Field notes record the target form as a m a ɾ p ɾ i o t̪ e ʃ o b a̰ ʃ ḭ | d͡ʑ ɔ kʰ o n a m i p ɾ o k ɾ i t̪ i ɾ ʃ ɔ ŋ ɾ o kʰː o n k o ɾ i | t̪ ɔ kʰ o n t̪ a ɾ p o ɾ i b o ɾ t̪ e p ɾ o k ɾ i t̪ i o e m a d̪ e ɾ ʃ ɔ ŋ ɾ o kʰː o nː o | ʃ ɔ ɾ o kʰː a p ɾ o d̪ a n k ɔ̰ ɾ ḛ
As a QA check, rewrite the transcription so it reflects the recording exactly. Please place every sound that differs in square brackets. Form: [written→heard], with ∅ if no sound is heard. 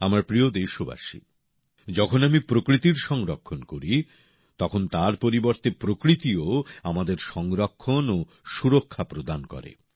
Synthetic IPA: a m a ɾ p ɾ i o [t̪→d̪] e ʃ o b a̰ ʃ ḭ | d͡ʑ ɔ kʰ o n a m i p ɾ o k ɾ i t̪ i ɾ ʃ ɔ ŋ ɾ o kʰː o n k o ɾ i | t̪ ɔ kʰ o n t̪ a ɾ p o ɾ i b o ɾ t̪ e p ɾ o k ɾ i t̪ i o [e→a] m a d̪ e ɾ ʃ ɔ ŋ ɾ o kʰː o [nː→n] o | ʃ [ɔ→u] ɾ o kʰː a p ɾ o d̪ a n k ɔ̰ ɾ ḛ

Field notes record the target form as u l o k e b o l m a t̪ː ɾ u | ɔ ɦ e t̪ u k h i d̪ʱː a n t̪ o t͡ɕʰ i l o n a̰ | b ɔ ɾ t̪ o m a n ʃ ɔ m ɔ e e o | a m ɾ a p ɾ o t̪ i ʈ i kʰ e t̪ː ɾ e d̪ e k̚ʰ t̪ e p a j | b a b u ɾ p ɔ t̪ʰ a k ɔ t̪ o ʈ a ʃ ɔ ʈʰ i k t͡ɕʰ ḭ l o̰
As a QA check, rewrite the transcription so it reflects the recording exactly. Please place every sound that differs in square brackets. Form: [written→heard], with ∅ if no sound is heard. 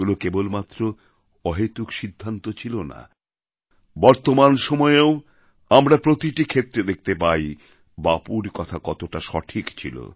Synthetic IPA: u l o k e b o l m a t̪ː ɾ [u→o] | ɔ ɦ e t̪ u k [h→ʃ] i d̪ʱː a n t̪ o t͡ɕʰ i l o n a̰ | b ɔ ɾ t̪ o m a n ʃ ɔ m ɔ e e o | a m ɾ a p ɾ o t̪ i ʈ i kʰ e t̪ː ɾ e d̪ e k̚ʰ t̪ e p a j | b a [b→p] u ɾ [p→k] ɔ t̪ʰ a k ɔ t̪ o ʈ a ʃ ɔ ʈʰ i k t͡ɕʰ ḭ l o̰

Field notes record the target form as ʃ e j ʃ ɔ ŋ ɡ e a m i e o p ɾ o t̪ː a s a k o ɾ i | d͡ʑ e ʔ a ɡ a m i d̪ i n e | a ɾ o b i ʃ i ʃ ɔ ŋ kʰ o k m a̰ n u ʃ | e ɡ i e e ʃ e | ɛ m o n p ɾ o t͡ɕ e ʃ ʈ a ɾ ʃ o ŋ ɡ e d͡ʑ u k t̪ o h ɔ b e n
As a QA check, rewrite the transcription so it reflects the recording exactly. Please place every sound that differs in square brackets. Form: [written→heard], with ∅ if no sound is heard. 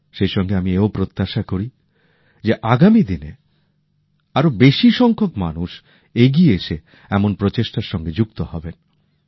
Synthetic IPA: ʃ e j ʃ ɔ ŋ ɡ e a m i e o p ɾ o t̪ː a [s→ʃ] a k o ɾ i | d͡ʑ e ʔ a ɡ a m i d̪ i n e | a ɾ o b [i→e] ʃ i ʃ ɔ ŋ kʰ o k m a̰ n u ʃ | e ɡ i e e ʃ e | ɛ m o n p ɾ o t͡ɕ e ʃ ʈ a ɾ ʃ [o→ɔ] ŋ ɡ e d͡ʑ u k t̪ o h ɔ b e n

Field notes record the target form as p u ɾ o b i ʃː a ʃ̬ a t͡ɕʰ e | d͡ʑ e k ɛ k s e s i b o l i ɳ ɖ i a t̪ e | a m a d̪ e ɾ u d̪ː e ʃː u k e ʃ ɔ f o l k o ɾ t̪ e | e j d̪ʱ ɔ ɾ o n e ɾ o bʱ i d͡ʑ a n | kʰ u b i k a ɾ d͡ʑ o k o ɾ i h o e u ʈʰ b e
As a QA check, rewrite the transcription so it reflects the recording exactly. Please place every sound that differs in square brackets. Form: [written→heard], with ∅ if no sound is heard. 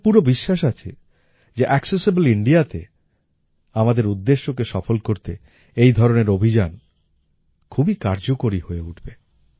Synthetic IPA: p u ɾ o b i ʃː a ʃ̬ a t͡ɕʰ e | d͡ʑ e [k→ʔ] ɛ k s e s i b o l i ɳ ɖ i a t̪ e | a m a d̪ e ɾ u d̪ː e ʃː [u→o] k e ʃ ɔ f o l k o ɾ t̪ e | e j d̪ʱ ɔ ɾ o n e ɾ o bʱ i d͡ʑ a n | kʰ u b i k a ɾ d͡ʑ o k o ɾ i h o e u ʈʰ b e

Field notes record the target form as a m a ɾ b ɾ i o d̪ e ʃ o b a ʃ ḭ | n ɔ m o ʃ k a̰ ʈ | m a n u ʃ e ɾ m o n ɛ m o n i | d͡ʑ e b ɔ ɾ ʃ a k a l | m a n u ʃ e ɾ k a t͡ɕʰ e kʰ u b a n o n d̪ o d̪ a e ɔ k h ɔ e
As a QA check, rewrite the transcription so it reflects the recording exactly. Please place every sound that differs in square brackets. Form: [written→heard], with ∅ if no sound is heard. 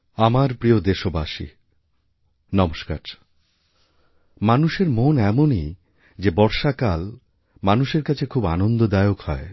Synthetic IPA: a m a ɾ [b→p] ɾ i o d̪ e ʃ o b a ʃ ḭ | n ɔ m o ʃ k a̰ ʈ | m a n u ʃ e ɾ m o n ɛ m o n i | d͡ʑ e b ɔ ɾ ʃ a k a l | m a n u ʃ e ɾ k a t͡ɕʰ e kʰ u b a n o n d̪ o d̪ a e [ɔ→o] k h ɔ e

